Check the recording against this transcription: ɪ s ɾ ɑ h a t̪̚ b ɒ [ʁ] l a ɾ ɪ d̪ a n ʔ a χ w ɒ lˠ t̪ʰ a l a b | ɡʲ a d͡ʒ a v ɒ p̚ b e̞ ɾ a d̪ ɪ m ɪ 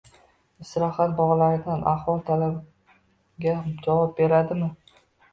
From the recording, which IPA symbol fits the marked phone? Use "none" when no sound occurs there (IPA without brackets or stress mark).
ʁ